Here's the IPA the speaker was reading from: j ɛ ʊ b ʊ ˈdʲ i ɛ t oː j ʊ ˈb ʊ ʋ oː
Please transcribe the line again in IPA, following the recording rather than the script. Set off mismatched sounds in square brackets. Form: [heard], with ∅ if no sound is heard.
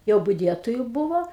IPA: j ɛ ʊ b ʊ ˈdʲ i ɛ t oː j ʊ ˈb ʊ ʋ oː